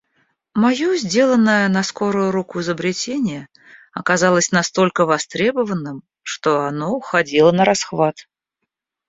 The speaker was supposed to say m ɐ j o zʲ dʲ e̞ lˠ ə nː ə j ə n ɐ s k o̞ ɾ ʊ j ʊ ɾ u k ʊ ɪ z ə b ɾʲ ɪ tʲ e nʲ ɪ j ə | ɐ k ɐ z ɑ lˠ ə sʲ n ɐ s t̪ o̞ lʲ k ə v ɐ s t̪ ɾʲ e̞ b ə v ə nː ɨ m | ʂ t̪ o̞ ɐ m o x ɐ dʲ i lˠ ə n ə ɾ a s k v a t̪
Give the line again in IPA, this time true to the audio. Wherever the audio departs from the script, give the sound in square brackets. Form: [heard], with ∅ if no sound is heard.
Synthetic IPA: m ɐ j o zʲ dʲ e̞ lˠ ə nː ə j ə n ɐ s k o̞ ɾ ʊ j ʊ ɾ u k ʊ ɪ z ə b ɾʲ ɪ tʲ e nʲ ɪ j ə | ɐ k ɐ z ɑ lˠ ə sʲ n ɐ s t̪ o̞ lʲ k ə v ɐ s t̪ ɾʲ e̞ b ə v ə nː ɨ m | ʂ t̪ o̞ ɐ [n] o x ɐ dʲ i lˠ ə n ə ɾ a s [x] v a t̪

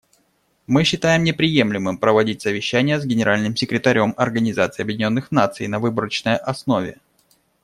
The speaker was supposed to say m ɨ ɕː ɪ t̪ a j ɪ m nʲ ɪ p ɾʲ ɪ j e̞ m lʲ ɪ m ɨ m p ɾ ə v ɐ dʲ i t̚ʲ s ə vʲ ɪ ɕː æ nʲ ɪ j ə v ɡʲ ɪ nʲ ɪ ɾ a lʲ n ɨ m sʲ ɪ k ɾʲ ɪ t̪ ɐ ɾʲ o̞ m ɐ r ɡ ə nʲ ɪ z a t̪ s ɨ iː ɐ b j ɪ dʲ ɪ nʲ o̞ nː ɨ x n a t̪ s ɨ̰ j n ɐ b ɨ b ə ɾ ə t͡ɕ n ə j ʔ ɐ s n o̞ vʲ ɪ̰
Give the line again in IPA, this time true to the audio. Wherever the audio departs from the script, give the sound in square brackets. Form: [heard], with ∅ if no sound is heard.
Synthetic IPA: m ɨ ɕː ɪ t̪ a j ɪ m nʲ ɪ p ɾʲ ɪ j e̞ m lʲ ɪ m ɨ m p ɾ ə v ɐ dʲ i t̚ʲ s ə vʲ ɪ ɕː æ nʲ ɪ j ə [z] ɡʲ ɪ nʲ ɪ ɾ a lʲ n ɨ m sʲ ɪ k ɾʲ ɪ t̪ ɐ ɾʲ o̞ m ɐ r ɡ ə nʲ ɪ z a t̪ s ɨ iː ɐ b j ɪ dʲ ɪ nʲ o̞ nː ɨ x n a t̪ s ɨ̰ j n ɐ [v] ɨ b ə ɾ ə t͡ɕ n ə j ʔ ɐ s n o̞ vʲ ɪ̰

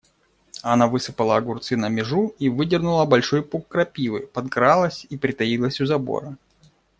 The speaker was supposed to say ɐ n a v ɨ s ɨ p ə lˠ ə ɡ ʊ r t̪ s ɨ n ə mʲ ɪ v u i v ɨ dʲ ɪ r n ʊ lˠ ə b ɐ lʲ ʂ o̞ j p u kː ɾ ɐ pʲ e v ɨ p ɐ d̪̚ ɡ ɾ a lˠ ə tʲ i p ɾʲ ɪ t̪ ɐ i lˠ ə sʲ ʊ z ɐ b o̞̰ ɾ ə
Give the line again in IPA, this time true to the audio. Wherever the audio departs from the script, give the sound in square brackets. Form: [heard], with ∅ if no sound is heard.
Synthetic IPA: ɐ n a v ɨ s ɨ p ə lˠ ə ɡ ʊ r t̪ s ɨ n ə mʲ ɪ [ʐ] u i v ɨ dʲ ɪ r n ʊ lˠ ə b ɐ lʲ ʂ o̞ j p u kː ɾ ɐ pʲ [i] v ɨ p ɐ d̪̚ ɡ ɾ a lˠ ə [sʲ] i p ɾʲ ɪ t̪ ɐ i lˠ ə sʲ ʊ z ɐ b o̞̰ ɾ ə

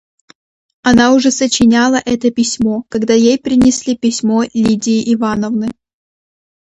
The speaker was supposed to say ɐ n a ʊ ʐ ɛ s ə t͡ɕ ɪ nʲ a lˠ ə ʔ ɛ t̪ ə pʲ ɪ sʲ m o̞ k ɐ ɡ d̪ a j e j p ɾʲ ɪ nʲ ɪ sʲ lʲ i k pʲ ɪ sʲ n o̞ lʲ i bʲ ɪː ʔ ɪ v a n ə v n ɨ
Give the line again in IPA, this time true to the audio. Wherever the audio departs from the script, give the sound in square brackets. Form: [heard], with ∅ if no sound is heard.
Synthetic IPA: ɐ n a ʊ ʐ ɛ s ə t͡ɕ ɪ nʲ a lˠ ə ʔ ɛ t̪ ə pʲ ɪ sʲ m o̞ k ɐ ɡ d̪ a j e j p ɾʲ ɪ nʲ ɪ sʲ lʲ i [∅] pʲ ɪ sʲ [m] o̞ lʲ i [dʲ] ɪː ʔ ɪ v a n ə v n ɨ

